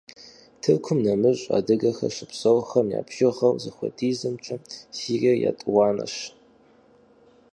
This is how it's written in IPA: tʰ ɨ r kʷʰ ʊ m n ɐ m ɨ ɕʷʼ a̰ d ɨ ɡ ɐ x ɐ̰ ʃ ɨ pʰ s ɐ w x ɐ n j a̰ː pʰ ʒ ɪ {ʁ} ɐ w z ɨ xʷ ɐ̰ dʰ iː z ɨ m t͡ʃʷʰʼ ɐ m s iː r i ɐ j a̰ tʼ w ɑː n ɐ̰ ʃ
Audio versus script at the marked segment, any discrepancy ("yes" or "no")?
no